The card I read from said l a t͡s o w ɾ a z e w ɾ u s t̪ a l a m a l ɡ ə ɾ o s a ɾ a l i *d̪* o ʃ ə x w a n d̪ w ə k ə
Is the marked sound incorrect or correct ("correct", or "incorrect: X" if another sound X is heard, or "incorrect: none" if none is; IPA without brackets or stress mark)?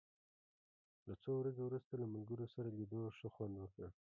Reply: correct